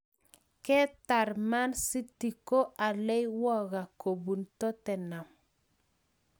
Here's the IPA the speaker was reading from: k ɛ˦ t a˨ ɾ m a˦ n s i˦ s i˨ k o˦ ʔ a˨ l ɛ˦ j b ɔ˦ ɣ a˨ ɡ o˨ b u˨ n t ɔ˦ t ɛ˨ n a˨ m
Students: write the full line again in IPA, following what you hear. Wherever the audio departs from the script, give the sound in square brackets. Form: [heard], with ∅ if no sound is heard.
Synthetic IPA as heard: k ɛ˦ t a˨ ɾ m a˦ n s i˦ [t] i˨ k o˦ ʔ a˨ l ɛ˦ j [w] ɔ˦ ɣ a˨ [k] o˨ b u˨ n t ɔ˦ t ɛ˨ n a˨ m

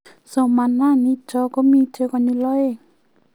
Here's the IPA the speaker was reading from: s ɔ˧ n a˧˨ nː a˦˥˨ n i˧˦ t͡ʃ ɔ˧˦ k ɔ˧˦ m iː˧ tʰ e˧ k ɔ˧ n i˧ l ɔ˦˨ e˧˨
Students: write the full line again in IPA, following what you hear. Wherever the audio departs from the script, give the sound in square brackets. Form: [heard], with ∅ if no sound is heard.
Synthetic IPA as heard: s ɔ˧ [m] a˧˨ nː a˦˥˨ n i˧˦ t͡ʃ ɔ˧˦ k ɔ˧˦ m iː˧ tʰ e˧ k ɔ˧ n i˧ l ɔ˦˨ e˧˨

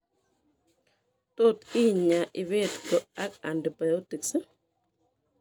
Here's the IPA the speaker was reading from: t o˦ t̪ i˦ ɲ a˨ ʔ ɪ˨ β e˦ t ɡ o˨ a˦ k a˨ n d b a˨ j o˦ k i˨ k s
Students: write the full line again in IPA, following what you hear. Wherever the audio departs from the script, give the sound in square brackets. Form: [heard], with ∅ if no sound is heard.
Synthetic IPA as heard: t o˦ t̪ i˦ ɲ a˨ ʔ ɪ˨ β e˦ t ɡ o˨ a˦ k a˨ n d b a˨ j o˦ [t] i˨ k s

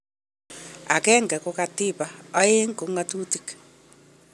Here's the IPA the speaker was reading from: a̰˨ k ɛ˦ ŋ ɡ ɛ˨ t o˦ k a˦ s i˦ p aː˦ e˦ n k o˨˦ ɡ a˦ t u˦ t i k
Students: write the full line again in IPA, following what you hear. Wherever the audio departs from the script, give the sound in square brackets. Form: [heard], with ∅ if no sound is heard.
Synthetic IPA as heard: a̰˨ k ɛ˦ ŋ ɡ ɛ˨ [k] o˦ k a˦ [t] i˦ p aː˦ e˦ [ŋ] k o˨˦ [ŋ] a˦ t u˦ t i k

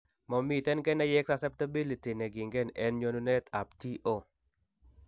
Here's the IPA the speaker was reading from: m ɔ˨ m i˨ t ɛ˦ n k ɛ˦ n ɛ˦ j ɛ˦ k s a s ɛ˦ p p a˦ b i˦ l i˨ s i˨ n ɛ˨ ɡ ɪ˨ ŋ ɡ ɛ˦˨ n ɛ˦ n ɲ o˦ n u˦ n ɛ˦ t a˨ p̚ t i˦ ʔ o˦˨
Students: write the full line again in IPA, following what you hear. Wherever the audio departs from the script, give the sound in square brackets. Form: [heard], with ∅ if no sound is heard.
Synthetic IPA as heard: m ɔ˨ m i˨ t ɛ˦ n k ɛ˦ n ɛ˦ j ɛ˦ k s a s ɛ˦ p [t] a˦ b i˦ l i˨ [t] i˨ n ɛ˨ ɡ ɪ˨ ŋ ɡ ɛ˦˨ n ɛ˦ n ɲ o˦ n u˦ n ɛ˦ t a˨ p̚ t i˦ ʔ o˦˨

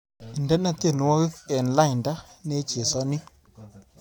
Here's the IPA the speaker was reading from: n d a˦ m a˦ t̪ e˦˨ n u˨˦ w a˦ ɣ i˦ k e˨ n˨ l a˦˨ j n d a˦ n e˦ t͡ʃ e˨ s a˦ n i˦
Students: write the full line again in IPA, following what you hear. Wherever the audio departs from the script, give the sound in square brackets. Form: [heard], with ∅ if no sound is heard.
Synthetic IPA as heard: n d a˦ [n] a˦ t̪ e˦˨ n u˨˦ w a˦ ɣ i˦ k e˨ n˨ l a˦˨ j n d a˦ n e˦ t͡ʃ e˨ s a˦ n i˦

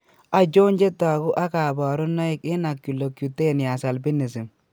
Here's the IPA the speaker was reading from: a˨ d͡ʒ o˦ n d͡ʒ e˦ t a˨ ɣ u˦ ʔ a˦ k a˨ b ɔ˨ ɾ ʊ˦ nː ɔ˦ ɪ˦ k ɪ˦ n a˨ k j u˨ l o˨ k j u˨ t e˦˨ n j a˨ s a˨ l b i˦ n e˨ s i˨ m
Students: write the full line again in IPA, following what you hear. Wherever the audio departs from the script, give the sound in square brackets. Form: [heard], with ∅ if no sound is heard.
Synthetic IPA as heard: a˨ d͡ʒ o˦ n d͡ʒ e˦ t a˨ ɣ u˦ ʔ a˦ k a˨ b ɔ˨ ɾ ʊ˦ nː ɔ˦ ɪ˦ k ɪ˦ n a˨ k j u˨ l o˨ k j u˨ t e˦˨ n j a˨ s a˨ l b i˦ n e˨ s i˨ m

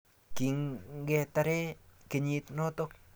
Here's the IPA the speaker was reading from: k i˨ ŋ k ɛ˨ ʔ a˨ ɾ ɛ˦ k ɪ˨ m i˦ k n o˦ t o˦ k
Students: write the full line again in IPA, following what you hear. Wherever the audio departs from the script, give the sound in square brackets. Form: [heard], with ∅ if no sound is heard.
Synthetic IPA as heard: k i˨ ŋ [ɡ] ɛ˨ [t] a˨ ɾ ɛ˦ k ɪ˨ [ɲ] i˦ [t] n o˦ t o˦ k

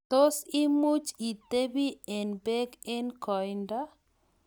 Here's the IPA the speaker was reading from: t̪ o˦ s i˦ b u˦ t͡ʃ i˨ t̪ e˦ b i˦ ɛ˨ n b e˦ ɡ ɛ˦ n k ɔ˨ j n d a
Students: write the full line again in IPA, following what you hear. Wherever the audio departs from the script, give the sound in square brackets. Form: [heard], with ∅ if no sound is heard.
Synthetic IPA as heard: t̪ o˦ s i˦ [m] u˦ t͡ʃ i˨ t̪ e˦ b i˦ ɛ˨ n b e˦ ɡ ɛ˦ n k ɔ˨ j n d a

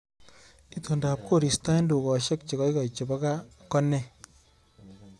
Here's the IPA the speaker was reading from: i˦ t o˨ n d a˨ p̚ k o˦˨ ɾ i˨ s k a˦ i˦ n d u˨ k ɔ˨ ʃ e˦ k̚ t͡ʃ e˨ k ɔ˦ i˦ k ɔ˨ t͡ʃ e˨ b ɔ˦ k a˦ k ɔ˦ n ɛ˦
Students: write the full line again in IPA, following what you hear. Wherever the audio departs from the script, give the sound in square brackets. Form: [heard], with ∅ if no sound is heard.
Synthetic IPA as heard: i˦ t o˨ n d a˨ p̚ k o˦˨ ɾ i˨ s [t] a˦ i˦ n d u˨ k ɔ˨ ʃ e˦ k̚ t͡ʃ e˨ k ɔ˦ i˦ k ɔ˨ t͡ʃ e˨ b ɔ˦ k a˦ k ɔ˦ n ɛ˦

